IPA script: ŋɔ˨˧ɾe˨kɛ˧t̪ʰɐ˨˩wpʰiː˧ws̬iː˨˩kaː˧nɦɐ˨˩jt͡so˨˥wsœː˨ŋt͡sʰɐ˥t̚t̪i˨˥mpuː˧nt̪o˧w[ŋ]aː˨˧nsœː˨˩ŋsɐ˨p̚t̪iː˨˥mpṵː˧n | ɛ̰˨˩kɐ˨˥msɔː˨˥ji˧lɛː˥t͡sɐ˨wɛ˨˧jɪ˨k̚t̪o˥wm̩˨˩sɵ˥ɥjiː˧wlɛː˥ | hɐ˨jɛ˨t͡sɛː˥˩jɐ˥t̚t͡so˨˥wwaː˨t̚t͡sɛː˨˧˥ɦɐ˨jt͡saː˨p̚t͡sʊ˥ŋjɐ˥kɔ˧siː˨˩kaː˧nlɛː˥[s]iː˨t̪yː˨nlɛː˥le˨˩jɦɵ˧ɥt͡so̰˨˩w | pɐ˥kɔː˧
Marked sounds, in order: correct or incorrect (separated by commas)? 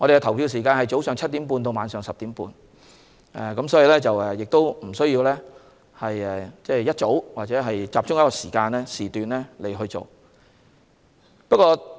incorrect, correct